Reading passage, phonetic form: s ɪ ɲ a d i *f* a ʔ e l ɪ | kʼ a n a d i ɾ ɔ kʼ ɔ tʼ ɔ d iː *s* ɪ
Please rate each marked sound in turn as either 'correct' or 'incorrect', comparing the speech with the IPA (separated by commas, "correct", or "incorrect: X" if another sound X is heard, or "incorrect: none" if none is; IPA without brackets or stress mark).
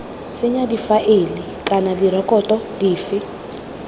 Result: correct, incorrect: f